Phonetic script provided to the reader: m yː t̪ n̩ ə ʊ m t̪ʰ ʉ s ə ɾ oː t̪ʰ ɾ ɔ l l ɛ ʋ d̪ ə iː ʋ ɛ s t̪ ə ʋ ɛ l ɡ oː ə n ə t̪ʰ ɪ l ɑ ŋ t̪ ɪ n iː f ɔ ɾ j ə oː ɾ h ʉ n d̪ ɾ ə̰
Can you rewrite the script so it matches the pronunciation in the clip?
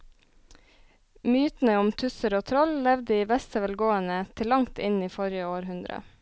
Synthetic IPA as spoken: m yː t̪ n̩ ə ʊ m t̪ʰ ʉ s ə ɾ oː t̪ʰ ɾ ɔ l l ɛ ʋ d̪ ə iː ʋ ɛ s t̪ ə ʋ ɛ l ɡ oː ə n ə t̪ʰ ɪ l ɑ ŋ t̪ ɪ n iː f ɔ ɾ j ə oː ɾ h ʉ n d̪ ɾ ə̰